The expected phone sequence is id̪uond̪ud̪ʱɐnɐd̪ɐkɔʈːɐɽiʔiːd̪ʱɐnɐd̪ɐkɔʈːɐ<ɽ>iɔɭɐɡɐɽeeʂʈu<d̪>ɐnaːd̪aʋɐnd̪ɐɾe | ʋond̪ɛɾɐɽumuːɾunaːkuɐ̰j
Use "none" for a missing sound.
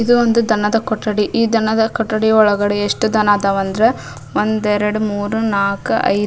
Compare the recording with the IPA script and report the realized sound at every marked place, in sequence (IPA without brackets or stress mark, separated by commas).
ɽ, d̪